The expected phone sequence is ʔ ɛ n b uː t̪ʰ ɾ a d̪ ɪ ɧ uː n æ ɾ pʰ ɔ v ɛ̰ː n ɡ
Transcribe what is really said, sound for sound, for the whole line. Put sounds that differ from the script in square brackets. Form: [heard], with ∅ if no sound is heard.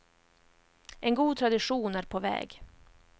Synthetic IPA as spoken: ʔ ɛ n [ɡ] uː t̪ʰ ɾ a d̪ ɪ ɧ uː n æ ɾ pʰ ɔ v ɛ̰ː [∅] ɡ